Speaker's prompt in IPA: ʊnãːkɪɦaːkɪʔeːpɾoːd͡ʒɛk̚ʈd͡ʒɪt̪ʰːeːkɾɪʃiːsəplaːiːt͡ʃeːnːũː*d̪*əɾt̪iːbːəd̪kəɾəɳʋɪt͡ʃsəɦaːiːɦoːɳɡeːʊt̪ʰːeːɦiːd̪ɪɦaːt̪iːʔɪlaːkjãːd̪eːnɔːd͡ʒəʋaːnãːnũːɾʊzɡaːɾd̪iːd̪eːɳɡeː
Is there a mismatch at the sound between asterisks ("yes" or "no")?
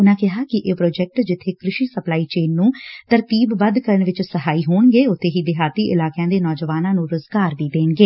yes